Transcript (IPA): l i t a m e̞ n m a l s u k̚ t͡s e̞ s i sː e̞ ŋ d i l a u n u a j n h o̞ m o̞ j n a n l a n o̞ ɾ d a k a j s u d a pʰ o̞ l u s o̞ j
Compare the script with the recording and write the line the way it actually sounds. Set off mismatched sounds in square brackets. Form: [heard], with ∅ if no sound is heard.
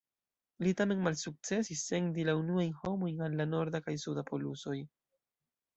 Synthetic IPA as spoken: l i t a m e̞ n m a l s u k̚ t͡s e̞ s i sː e̞ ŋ d i l a u n u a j n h o̞ m o̞ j n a n l a n o̞ ɾ d a k a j s u d a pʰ o̞ l u s o̞ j

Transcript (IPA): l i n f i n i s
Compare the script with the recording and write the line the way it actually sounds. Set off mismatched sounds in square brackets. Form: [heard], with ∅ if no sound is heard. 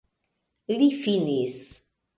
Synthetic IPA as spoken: l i [∅] f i n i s

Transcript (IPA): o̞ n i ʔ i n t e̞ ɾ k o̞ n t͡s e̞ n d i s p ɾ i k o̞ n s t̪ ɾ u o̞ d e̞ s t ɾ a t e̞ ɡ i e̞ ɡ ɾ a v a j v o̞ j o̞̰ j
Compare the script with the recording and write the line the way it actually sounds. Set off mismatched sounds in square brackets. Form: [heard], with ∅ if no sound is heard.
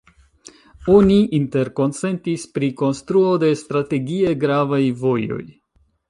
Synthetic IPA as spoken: o̞ n i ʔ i n t e̞ ɾ k o̞ n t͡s e̞ n [t] i s p ɾ i k o̞ n s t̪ ɾ u o̞ d e̞ s t ɾ a t e̞ ɡ i e̞ ɡ ɾ a v a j v o̞ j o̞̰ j

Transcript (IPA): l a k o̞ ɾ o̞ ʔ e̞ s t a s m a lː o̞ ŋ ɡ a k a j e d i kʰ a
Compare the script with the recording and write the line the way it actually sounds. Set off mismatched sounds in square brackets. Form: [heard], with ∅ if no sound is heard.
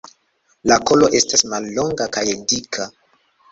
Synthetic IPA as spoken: l a k o̞ [l] o̞ ʔ e̞ s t a s m a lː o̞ ŋ ɡ a k a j e d i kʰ a

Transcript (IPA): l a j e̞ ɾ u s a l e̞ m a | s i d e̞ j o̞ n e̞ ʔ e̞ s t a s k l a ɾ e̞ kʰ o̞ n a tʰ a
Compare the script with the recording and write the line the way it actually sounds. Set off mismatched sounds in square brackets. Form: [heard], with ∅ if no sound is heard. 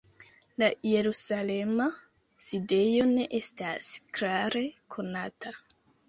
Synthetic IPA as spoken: l a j e̞ ɾ u s a l e̞ m a | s i d e̞ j o̞ n e̞ ʔ e̞ s t a s k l a ɾ e̞ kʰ o̞ n a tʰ a

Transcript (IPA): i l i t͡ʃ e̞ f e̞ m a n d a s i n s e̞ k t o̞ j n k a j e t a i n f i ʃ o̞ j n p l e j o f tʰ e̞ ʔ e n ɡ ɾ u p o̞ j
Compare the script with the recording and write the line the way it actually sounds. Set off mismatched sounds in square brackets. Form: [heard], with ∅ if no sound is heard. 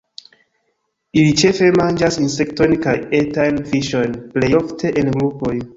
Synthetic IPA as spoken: i l i t͡ʃ e̞ f e̞ m a n [d͡ʒ] a s i n s e̞ k t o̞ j n k a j e t a [j] n f i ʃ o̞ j n p l e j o f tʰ e̞ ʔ e n ɡ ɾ u p o̞ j

